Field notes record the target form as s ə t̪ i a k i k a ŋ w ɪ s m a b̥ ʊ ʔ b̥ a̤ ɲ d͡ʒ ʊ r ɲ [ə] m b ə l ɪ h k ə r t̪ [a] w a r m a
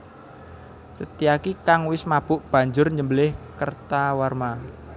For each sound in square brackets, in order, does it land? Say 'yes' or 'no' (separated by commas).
yes, yes